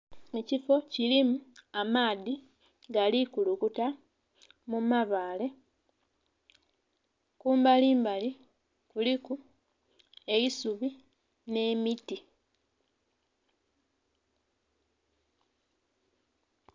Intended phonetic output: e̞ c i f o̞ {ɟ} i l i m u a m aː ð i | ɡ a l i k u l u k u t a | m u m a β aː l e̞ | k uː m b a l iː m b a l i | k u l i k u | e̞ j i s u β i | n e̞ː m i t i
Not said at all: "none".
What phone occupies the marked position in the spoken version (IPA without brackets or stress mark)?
c